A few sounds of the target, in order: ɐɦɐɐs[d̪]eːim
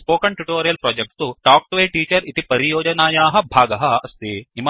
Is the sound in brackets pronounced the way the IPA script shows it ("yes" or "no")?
no